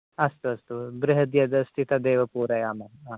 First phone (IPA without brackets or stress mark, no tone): ɐ